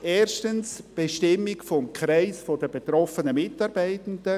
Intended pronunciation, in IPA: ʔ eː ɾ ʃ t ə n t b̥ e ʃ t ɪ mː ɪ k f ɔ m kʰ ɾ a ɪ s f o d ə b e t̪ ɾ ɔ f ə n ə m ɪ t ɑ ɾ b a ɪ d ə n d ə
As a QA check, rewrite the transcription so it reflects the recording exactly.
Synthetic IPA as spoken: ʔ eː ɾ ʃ t ə n s b̥ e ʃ t ɪ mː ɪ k f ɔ m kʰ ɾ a ɪ s f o d ə b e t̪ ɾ ɔ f ə n ə m ɪ t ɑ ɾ b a ɪ t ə n d ə

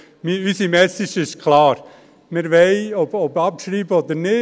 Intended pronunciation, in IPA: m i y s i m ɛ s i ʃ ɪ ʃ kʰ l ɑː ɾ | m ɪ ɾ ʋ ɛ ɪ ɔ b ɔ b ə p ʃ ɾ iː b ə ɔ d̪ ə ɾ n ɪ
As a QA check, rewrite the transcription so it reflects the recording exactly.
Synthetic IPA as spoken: m i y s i m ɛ s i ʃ ɪ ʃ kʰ l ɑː ɾ | m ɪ ɾ ʋ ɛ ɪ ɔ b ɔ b ɑ p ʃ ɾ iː b ə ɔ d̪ ə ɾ n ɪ

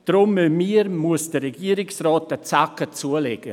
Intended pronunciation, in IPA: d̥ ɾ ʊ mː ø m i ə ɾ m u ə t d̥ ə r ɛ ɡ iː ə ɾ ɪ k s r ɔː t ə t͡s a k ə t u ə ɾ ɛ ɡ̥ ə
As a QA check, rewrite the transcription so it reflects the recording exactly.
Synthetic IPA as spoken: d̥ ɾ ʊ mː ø m i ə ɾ m u ə s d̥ ə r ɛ ɡ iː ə ɾ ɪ k s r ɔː t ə t͡s a k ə t͡s u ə l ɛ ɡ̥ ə

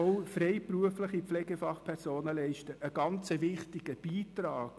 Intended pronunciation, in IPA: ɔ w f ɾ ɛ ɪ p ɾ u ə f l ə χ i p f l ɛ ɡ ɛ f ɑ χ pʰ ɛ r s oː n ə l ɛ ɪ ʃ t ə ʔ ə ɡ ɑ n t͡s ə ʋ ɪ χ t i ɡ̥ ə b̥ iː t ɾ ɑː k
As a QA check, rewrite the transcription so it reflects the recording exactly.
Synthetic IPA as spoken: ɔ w f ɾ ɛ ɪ p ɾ u ə f l ə χ i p f l ɛ ɡ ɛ f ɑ χ pʰ ɛ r s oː n ə l ɛ ɪ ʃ t ə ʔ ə ɡ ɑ n t͡s ə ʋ ɪ χ t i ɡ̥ ə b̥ iː t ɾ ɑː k

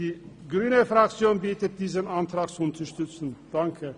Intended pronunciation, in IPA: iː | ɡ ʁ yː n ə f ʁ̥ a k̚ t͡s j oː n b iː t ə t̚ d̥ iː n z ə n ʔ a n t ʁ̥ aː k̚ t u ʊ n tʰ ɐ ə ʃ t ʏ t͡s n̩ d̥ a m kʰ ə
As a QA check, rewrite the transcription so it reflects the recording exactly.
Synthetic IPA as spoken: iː | ɡ ʁ yː n ə f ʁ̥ a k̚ t͡s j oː n b iː t ə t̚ d̥ iː z ə n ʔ a n t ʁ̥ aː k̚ t͡s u ʊ n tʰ ɐ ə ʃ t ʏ t͡s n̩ d̥ a ŋ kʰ ə

